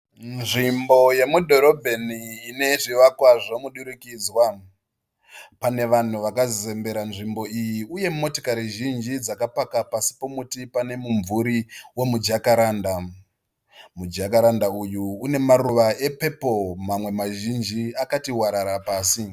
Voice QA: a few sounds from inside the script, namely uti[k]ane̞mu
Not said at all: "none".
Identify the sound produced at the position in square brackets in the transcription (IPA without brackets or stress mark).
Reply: p